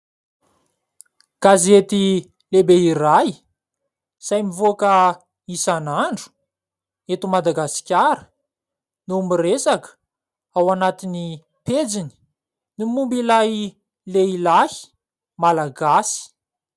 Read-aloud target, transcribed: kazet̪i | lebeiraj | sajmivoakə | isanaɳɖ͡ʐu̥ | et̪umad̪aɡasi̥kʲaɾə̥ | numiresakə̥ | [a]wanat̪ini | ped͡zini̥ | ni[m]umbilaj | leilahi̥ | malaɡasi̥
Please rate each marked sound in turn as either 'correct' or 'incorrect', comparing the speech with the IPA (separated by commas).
correct, correct